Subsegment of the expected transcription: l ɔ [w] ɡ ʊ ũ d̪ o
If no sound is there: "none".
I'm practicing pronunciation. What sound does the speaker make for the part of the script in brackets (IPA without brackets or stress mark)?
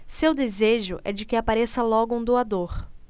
none